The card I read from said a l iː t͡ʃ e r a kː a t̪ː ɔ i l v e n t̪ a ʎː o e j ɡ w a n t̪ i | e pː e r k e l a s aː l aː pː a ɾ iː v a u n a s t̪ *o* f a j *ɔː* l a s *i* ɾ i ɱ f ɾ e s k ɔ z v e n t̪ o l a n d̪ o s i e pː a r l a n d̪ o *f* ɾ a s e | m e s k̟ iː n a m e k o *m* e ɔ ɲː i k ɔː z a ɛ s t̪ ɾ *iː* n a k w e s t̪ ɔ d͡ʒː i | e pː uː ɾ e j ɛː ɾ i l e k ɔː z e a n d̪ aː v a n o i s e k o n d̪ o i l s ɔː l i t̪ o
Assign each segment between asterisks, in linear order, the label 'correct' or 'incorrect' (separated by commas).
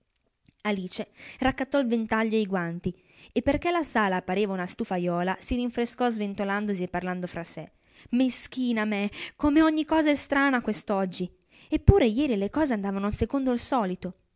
incorrect, correct, correct, correct, correct, incorrect